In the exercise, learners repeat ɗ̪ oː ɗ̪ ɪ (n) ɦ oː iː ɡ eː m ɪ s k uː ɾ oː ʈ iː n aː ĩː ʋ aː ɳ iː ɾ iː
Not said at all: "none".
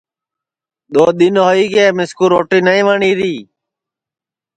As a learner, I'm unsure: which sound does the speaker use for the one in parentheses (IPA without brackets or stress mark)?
n